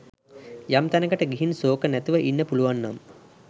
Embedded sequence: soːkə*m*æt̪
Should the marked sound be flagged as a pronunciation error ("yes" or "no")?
yes